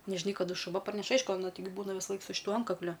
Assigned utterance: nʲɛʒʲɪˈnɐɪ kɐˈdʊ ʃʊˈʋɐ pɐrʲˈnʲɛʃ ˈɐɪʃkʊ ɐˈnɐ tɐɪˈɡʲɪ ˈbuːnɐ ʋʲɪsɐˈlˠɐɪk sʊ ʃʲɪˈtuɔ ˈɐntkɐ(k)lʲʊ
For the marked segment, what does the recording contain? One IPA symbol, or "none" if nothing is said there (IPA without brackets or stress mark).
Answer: k